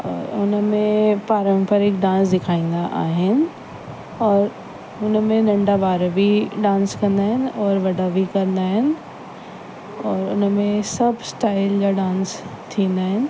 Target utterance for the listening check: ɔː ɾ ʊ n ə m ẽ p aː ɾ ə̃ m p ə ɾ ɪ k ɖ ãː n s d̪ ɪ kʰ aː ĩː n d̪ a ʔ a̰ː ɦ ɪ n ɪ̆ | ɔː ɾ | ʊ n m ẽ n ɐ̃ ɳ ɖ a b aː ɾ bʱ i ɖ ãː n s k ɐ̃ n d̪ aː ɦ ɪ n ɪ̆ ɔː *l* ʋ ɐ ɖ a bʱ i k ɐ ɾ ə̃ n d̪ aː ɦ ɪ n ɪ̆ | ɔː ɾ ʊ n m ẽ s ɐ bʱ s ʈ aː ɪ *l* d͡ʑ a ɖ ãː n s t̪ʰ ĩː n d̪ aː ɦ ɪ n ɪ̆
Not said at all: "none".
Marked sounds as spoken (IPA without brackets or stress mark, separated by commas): ɾ, l